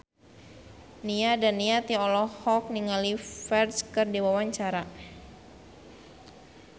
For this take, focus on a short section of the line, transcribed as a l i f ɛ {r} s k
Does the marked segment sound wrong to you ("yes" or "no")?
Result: no